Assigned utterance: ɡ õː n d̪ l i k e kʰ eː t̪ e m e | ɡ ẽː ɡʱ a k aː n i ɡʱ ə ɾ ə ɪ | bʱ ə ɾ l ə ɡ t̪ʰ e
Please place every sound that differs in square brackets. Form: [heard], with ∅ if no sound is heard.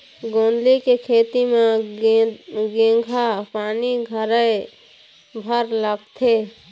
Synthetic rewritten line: ɡ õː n d̪ l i k e kʰ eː t̪ [i] m e | ɡ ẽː ɡʱ a [p] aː n i ɡʱ ə ɾ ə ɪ | bʱ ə ɾ l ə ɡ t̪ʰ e